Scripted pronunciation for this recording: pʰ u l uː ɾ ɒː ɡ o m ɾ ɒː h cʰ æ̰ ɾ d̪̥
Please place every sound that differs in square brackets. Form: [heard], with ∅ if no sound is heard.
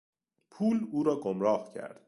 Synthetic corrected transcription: pʰ [uː] l uː ɾ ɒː ɡ o m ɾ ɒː h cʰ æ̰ ɾ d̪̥

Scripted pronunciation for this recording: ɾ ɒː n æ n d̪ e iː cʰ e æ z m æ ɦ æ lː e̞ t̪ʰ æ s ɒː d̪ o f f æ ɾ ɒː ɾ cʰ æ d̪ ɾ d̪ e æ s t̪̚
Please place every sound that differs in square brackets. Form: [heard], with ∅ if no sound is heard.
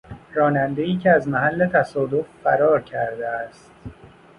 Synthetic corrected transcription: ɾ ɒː n æ n d̪ e iː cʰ e æ z m æ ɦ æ lː e̞ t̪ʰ æ s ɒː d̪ o f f æ ɾ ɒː ɾ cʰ æ [∅] ɾ d̪ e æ s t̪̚

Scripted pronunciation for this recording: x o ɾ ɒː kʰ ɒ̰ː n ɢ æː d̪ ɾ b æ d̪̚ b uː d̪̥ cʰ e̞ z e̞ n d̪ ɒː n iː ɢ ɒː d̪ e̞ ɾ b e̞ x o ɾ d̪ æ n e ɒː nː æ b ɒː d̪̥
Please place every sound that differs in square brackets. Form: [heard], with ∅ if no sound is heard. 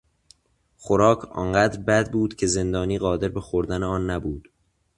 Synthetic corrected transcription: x o ɾ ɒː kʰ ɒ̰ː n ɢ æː d̪ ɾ b æ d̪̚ b uː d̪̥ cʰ e̞ z e̞ n d̪ ɒː n iː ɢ ɒː d̪ e̞ ɾ b e̞ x o ɾ d̪ æ n e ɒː nː æ b [uː] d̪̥

